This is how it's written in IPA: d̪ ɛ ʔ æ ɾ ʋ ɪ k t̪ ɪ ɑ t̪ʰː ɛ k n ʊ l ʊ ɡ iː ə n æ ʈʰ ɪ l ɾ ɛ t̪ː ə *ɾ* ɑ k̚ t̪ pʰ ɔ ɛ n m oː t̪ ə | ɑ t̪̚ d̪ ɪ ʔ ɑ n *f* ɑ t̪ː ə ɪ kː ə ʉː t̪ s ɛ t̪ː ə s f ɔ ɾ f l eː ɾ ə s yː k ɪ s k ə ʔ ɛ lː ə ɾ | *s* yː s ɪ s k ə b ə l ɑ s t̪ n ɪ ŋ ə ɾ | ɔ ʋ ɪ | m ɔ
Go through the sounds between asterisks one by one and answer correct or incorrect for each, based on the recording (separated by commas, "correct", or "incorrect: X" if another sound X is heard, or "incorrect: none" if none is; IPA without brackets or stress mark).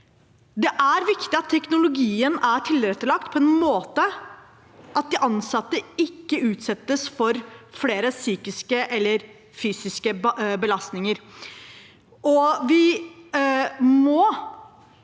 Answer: incorrect: ɭ, incorrect: s, incorrect: f